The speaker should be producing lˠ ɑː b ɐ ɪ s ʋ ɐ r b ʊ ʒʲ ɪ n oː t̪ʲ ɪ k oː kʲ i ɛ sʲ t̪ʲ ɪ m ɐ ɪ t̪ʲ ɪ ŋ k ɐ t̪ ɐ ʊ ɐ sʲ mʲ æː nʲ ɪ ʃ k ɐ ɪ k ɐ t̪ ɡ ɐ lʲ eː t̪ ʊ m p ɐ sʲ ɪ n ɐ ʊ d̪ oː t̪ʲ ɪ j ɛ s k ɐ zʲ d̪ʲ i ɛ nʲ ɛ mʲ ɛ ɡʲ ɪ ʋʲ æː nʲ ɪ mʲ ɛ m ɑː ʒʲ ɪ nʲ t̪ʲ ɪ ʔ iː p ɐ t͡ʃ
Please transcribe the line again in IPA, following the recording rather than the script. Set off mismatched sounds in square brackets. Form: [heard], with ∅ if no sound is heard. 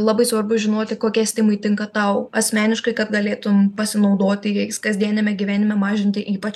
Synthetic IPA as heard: lˠ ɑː b ɐ ɪ s ʋ ɐ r b ʊ ʒʲ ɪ n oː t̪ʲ ɪ k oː kʲ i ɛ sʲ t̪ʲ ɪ m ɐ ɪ t̪ʲ ɪ ŋ k ɐ t̪ ɐ ʊ ɐ sʲ mʲ æː nʲ ɪ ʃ k ɐ ɪ k ɐ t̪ ɡ ɐ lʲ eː t̪ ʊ m p ɐ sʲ ɪ n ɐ ʊ d̪ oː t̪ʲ ɪ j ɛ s k ɐ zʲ d̪ʲ i ɛ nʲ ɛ mʲ ɛ ɡʲ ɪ ʋʲ æː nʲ ɪ mʲ ɛ m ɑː ʒʲ ɪ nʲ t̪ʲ ɪ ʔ iː p ɐ t͡ʃ